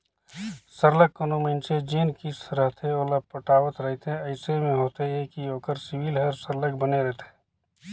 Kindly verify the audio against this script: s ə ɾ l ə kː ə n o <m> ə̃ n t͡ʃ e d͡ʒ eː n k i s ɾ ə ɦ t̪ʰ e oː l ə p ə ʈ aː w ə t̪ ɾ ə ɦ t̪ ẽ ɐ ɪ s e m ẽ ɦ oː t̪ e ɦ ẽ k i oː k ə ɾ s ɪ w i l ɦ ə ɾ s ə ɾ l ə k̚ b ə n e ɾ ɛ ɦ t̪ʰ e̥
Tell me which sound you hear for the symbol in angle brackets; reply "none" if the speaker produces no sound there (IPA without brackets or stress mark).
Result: m